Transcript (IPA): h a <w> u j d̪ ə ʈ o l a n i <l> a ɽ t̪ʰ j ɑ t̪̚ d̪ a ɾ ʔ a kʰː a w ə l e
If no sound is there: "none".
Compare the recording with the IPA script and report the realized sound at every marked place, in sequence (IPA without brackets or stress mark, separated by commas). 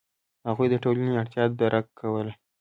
ɣ, none